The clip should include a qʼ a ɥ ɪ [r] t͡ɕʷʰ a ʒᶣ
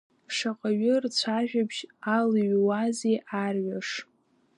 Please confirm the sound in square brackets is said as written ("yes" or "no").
yes